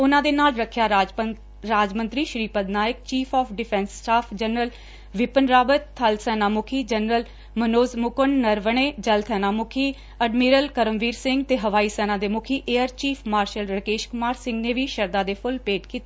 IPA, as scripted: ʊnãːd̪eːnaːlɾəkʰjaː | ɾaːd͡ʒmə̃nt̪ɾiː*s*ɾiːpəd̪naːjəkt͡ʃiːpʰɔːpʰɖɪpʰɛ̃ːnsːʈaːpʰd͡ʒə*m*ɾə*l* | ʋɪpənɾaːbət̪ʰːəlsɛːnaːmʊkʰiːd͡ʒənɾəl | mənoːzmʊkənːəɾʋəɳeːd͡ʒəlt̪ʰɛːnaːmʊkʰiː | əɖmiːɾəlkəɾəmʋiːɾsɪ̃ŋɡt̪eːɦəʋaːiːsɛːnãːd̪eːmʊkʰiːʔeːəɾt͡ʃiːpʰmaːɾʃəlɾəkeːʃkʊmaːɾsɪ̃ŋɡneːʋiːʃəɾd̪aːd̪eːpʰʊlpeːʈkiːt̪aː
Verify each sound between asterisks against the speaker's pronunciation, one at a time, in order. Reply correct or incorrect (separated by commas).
incorrect, incorrect, correct